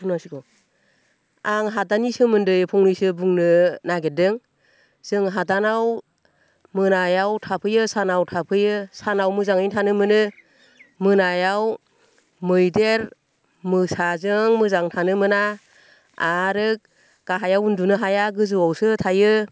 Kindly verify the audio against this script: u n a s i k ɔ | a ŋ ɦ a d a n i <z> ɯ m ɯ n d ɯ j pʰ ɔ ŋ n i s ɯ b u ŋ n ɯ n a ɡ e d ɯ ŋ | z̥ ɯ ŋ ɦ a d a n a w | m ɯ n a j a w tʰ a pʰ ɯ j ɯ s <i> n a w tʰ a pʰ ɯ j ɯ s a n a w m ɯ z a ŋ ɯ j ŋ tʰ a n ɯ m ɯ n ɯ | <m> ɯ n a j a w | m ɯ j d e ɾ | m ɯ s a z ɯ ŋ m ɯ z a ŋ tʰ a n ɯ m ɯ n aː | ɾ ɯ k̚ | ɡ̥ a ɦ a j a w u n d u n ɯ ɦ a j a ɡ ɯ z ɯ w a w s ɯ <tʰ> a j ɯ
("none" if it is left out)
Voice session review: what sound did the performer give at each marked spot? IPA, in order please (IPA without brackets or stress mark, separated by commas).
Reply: s, a, m, tʰ